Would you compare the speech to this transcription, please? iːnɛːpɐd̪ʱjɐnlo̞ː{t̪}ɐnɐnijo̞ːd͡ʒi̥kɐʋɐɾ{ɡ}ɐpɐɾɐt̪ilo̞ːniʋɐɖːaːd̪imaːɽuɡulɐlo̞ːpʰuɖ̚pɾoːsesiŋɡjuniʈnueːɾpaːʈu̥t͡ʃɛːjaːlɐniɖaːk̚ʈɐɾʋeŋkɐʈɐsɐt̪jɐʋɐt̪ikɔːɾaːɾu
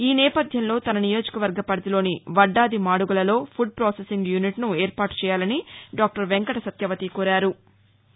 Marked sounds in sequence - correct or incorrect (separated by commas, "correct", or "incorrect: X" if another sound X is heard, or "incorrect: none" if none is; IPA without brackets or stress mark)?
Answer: correct, correct